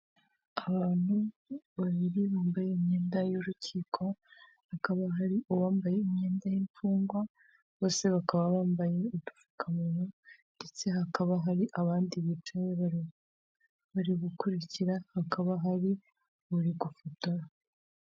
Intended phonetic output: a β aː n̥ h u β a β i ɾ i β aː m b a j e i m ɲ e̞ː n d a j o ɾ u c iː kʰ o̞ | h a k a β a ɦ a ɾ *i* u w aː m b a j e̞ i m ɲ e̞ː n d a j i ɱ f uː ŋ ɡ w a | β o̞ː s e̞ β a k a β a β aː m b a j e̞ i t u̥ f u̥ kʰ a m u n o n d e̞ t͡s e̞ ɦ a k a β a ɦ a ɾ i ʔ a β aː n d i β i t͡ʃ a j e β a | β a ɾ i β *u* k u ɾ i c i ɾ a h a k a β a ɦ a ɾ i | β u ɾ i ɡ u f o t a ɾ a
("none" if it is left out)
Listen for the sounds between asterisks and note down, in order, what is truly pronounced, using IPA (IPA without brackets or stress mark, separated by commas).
i, u